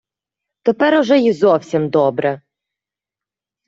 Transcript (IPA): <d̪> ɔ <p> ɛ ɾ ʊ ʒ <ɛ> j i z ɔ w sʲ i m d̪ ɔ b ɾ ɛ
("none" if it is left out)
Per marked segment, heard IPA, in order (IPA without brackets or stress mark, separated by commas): t̪, p, ɛ